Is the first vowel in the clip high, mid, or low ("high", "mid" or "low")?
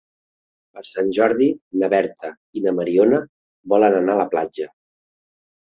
mid